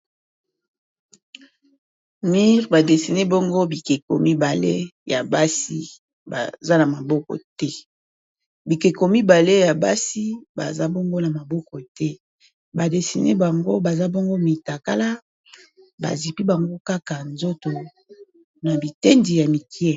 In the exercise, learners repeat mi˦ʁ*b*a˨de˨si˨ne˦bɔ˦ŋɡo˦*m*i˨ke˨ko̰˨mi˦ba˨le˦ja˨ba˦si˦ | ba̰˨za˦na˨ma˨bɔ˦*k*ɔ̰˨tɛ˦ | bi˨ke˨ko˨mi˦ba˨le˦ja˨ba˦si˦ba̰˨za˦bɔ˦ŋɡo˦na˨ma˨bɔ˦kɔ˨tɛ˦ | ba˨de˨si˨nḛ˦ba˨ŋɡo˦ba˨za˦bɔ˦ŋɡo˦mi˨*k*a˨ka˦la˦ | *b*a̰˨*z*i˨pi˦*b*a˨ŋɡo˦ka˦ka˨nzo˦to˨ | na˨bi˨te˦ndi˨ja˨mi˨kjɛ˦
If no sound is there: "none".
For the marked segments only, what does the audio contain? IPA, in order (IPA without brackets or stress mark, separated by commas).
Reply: b, b, k, t, b, z, b